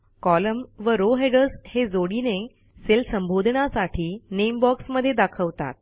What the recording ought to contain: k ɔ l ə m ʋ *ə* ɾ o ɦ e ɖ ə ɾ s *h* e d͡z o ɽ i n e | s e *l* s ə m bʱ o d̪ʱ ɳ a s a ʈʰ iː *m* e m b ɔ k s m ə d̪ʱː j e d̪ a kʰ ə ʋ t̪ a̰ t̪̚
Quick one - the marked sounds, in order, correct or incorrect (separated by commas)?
correct, correct, correct, incorrect